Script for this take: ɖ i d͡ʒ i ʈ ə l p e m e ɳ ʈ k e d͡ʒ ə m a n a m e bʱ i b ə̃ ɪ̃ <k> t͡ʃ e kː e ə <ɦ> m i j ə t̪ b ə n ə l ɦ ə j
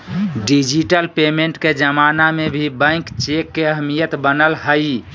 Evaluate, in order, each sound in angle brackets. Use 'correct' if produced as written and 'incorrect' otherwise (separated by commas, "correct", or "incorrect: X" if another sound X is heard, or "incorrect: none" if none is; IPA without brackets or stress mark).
correct, correct